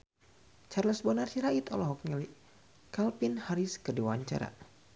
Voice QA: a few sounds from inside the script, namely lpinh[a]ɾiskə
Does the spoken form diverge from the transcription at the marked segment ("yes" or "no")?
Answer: no